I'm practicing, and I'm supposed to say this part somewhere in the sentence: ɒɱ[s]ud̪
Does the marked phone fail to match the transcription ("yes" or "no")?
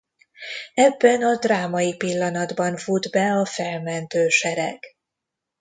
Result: yes